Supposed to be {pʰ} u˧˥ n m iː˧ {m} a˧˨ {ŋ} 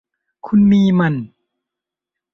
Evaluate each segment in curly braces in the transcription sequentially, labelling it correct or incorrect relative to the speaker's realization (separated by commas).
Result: incorrect, correct, incorrect